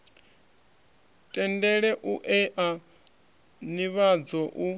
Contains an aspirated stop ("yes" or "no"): no